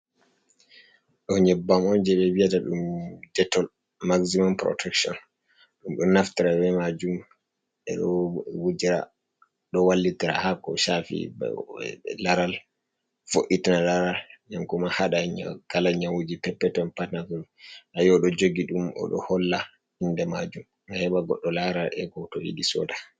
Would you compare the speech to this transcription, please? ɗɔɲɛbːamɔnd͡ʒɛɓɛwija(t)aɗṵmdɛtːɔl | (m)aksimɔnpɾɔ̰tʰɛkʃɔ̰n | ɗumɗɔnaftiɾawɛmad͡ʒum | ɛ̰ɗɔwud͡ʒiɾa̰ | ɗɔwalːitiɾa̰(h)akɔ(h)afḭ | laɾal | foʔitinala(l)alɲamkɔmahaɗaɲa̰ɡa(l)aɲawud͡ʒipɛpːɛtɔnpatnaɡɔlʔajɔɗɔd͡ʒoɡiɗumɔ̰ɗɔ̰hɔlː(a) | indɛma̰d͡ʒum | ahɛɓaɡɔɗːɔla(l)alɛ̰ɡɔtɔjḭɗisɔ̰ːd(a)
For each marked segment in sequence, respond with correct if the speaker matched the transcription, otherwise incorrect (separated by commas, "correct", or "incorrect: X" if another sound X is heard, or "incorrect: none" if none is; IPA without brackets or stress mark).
correct, correct, correct, incorrect: ʃ, incorrect: ɾ, correct, correct, incorrect: ɾ, correct